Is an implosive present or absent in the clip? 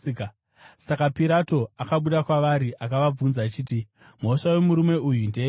present